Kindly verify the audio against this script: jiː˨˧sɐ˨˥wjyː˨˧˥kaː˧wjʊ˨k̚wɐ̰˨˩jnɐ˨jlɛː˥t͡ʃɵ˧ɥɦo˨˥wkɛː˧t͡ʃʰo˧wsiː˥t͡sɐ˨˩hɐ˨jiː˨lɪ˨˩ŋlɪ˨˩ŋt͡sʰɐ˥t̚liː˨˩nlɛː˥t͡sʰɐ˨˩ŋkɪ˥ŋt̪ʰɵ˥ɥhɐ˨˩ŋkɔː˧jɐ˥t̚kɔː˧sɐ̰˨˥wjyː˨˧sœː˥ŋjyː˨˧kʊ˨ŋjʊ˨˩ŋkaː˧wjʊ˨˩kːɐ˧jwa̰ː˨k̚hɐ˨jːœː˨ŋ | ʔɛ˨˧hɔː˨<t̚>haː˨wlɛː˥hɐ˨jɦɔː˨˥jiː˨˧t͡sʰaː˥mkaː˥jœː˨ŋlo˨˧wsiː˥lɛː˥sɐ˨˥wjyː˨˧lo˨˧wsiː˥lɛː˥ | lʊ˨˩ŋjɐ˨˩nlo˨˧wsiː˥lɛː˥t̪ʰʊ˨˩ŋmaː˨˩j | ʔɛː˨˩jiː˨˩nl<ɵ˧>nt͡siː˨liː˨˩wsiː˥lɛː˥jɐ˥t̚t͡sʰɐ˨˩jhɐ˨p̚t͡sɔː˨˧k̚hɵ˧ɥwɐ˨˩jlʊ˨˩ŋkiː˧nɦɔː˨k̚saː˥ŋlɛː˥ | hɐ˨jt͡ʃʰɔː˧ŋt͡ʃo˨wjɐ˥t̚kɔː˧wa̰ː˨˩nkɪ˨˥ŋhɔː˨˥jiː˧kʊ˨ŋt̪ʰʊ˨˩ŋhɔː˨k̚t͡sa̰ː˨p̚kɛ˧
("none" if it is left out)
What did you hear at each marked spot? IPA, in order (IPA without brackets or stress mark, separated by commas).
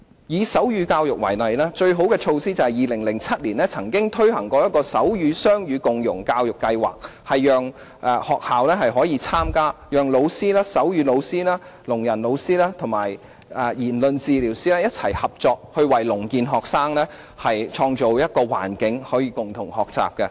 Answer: k̚, ɵ˧